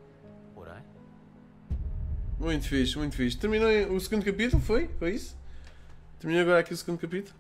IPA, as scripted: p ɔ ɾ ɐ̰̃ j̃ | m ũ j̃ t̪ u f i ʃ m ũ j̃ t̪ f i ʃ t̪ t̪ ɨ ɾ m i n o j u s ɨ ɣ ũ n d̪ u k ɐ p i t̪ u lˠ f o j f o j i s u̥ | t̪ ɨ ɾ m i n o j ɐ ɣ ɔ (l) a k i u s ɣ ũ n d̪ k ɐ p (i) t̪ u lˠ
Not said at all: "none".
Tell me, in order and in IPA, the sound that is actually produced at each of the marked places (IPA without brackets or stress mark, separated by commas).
ɾ, i